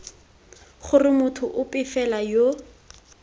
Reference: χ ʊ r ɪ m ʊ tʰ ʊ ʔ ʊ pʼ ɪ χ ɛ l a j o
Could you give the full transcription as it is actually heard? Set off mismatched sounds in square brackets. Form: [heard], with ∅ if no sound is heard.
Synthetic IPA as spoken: χ ʊ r ɪ m ʊ tʰ ʊ ʔ ʊ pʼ ɪ [f] ɛ l a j o

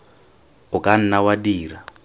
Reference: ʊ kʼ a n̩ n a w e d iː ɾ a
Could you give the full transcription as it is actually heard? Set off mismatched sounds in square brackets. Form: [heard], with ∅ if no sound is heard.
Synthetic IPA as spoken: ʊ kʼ a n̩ n a w [a] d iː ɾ a

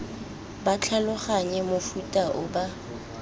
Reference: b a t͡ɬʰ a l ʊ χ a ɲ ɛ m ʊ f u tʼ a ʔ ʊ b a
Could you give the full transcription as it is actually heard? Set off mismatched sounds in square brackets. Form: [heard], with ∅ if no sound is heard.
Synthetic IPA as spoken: b a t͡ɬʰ a l ʊ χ a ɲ ɛ m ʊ f u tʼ a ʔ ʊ b a

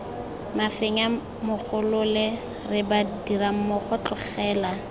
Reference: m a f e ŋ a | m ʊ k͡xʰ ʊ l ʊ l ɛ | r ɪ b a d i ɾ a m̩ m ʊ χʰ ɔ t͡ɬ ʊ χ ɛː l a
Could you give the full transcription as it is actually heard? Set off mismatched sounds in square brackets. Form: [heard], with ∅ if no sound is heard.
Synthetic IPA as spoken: m a f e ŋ a | m ʊ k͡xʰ ʊ l ʊ l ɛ | r ɪ b a d i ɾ a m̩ m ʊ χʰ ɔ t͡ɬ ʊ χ ɛː l a

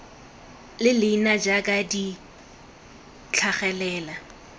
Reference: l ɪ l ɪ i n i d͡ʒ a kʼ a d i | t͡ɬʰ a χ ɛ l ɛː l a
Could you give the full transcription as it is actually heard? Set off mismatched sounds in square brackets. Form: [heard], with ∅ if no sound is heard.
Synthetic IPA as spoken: l ɪ l ɪ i n [a] d͡ʒ a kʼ a d i | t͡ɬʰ a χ ɛ l ɛː l a

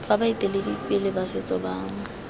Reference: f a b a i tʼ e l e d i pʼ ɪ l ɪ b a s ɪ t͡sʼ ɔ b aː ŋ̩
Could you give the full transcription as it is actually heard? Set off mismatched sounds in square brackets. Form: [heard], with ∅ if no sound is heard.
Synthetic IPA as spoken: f a b a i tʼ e l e d i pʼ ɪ l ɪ b a s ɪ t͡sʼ ɔ b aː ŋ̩

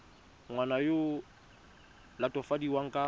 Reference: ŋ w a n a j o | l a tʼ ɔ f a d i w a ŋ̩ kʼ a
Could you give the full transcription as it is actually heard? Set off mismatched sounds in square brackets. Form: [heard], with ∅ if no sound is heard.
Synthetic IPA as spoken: ŋ w a n a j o | l a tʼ ɔ f a d i w a ŋ̩ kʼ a

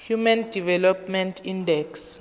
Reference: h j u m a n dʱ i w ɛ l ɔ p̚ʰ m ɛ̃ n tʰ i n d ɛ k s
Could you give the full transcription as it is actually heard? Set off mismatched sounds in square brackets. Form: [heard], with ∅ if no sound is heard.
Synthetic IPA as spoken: h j u m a n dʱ i [v] ɛ l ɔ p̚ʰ m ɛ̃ n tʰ i n d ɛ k s

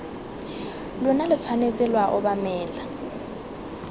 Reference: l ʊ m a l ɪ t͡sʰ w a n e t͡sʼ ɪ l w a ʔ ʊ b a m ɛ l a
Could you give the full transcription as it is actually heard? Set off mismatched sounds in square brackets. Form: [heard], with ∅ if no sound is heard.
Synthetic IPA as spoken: l ʊ [n] a l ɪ t͡sʰ w a n e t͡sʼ ɪ l w a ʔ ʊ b a m [ɛː] l a

